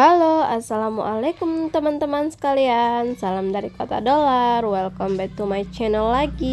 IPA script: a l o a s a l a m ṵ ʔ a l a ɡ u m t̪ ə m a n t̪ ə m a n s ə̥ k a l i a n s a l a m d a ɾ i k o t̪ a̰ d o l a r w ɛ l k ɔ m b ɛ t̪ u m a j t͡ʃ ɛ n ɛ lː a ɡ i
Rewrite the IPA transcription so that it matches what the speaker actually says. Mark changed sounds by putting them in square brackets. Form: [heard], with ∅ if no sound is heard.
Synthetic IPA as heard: a l o a s a l a m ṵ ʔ a l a [k] u m t̪ ə m a n t̪ ə m a n s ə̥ k a l i a n s a l a m d a ɾ i k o t̪ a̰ d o l a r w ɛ l k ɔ m b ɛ t̪ u m a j t͡ʃ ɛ n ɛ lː a ɡ i